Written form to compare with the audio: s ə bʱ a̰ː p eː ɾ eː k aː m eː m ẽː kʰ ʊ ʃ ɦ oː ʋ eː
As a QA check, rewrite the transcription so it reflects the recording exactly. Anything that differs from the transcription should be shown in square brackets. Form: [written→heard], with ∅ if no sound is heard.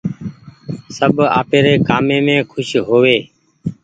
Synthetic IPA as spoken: s ə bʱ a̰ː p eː ɾ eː k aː m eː m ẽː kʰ ʊ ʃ ɦ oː ʋ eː